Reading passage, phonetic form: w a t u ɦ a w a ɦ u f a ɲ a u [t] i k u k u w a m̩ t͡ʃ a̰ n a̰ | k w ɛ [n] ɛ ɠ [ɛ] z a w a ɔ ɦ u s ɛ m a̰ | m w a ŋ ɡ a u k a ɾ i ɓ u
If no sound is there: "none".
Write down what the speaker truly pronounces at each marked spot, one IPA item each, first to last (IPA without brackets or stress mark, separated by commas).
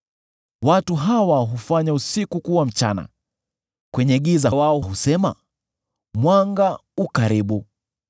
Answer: s, ɲ, i